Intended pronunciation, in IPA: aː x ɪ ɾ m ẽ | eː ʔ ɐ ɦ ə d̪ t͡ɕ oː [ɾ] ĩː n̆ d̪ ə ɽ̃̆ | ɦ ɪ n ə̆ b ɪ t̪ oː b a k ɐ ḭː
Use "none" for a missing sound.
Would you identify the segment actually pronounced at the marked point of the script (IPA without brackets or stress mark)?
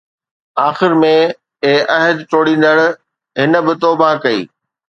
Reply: ɽ